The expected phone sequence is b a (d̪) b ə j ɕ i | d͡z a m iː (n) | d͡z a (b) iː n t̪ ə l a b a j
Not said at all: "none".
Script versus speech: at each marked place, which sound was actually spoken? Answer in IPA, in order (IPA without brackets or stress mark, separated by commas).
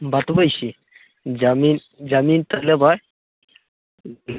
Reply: t̪, n, m